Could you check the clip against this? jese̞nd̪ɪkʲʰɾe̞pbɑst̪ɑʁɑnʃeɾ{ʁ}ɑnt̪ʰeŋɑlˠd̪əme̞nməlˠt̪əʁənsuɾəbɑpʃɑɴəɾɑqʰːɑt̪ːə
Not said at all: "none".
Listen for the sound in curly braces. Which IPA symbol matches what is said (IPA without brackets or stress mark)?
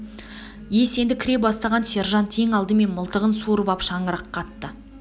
ʒ